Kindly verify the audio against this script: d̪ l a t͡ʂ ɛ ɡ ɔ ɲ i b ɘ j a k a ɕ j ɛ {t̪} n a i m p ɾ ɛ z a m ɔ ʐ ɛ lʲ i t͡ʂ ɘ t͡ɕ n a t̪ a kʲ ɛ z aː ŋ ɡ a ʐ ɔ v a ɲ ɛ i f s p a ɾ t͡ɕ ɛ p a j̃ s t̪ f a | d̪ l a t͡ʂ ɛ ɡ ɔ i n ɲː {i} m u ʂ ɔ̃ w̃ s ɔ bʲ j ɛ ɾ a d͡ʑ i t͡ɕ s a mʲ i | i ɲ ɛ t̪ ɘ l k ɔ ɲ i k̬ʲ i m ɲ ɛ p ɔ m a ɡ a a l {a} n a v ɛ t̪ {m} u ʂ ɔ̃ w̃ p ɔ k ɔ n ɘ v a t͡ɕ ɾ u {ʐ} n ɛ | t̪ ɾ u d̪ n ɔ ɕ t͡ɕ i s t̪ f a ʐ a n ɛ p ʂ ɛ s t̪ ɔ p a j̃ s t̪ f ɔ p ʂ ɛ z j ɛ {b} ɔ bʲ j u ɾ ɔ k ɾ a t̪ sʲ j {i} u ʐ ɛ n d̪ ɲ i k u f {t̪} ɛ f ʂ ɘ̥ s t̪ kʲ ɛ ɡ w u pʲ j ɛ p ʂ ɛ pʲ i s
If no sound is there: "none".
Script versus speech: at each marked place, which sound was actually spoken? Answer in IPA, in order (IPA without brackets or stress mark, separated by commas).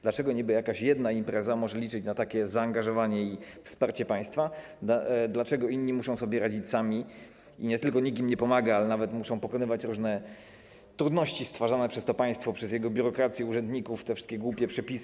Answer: d̪, i, ɛ, m, ʐ, ɡ, ɛ, t̪